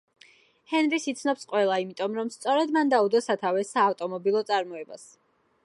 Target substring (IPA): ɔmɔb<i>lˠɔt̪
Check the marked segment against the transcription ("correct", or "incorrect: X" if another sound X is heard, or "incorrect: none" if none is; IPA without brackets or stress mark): correct